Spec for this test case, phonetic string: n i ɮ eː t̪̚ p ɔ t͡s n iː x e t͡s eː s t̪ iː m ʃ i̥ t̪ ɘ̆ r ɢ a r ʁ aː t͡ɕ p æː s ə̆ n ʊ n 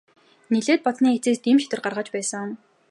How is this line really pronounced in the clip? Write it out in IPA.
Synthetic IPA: n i ɮ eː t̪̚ p ɔ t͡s n iː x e t͡s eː s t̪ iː m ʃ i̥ t̪ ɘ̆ r ɢ a r ʁ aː t͡ɕ p æː s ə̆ ŋ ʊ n